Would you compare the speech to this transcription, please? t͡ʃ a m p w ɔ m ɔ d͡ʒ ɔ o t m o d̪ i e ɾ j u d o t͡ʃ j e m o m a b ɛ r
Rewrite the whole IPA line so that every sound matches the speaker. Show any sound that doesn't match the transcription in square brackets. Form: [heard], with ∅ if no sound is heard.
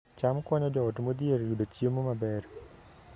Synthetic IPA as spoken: t͡ʃ a m [k] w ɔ [ɲ] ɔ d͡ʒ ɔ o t m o d̪ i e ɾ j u d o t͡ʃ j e m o m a b ɛ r